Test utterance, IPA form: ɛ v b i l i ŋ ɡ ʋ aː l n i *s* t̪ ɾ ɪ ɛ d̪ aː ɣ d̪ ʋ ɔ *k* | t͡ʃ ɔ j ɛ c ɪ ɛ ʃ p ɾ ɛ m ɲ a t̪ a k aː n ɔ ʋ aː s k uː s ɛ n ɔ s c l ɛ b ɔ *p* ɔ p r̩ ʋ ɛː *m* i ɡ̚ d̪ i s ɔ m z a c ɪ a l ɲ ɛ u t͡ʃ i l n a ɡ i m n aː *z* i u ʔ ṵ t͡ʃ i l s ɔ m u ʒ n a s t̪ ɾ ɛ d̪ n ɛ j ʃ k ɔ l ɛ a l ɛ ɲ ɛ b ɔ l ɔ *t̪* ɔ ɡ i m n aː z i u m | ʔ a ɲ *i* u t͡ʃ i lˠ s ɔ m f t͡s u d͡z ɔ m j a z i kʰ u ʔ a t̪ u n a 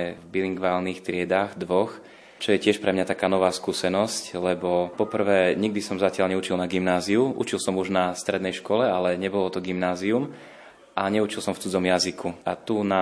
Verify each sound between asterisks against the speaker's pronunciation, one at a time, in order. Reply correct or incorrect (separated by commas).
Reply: incorrect, incorrect, correct, incorrect, correct, correct, incorrect